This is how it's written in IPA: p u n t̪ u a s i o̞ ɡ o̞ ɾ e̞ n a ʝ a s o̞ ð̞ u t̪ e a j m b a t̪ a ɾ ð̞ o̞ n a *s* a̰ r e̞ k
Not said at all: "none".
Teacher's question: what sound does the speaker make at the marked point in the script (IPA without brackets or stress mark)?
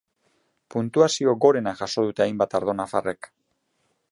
f